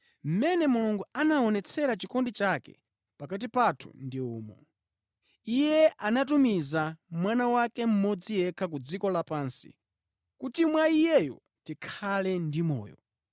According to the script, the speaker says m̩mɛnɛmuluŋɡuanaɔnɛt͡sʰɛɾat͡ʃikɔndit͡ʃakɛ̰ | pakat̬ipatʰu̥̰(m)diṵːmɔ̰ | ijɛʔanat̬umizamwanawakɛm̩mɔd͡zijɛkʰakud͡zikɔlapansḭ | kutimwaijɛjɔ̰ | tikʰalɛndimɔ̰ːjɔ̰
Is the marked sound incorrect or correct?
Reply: incorrect